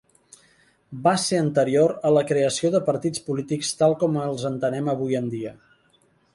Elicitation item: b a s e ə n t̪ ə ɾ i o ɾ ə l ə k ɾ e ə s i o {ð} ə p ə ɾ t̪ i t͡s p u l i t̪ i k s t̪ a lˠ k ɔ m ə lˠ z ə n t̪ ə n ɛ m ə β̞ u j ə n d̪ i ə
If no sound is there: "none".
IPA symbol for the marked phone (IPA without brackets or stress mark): ð